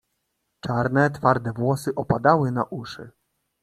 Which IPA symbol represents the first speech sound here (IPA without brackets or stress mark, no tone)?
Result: t͡ʂ